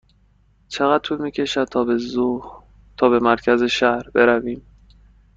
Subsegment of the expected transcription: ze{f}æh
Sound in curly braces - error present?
yes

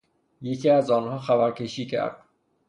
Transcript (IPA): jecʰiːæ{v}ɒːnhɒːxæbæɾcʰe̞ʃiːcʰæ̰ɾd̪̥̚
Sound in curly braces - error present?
yes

